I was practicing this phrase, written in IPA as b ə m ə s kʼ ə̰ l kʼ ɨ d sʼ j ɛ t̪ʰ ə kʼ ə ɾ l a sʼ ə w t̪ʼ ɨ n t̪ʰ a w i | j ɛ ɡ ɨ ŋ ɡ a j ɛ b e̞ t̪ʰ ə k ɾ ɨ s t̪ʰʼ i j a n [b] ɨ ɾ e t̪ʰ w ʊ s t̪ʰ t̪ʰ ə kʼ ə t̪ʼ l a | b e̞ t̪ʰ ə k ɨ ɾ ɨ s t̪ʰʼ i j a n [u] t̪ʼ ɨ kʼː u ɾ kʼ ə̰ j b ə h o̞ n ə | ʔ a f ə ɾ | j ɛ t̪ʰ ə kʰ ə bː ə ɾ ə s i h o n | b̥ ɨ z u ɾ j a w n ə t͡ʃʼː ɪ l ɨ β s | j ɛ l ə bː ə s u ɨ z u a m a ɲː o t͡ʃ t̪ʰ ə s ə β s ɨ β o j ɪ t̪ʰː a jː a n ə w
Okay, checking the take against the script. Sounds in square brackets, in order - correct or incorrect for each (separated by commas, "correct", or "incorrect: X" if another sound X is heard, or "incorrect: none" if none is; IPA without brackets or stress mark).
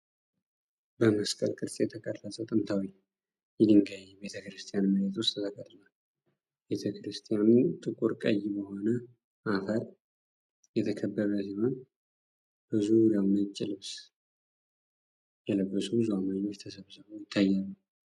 incorrect: m, correct